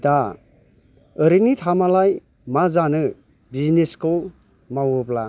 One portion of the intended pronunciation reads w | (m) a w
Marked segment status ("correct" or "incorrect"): correct